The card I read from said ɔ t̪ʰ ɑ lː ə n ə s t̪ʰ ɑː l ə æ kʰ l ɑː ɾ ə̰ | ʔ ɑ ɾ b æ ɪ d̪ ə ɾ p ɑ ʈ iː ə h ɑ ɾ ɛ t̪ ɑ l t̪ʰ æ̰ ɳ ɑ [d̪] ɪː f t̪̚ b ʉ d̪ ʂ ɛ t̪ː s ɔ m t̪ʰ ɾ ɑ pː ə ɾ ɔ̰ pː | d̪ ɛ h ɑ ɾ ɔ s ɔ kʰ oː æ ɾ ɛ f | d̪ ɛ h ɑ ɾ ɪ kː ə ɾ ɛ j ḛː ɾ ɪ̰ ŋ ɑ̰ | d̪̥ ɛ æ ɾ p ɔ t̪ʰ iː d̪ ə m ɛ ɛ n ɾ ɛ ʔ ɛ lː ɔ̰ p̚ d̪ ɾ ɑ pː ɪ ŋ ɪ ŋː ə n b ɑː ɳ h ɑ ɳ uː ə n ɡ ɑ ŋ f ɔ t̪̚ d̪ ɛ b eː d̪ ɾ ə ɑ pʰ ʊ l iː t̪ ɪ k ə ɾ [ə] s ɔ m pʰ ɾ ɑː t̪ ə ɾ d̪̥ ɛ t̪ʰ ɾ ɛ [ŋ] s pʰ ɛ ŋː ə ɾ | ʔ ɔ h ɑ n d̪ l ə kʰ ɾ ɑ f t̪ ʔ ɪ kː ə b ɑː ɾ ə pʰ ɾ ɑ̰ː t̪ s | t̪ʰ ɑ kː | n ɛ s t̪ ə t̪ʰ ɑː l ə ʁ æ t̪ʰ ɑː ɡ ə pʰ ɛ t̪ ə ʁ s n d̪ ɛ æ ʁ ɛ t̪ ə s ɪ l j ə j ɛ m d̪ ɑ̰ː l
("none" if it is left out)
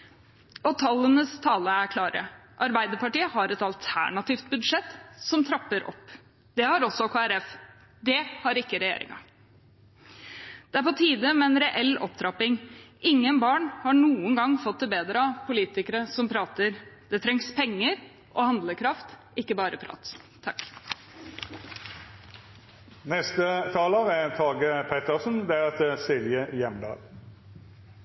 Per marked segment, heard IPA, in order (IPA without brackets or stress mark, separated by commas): t̪, ə, ŋ